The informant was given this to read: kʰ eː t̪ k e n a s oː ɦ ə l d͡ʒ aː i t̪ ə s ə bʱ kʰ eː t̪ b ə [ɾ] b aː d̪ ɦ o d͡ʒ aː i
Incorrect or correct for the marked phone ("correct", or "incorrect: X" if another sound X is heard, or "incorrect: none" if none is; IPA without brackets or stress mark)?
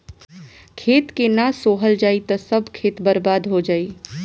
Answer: correct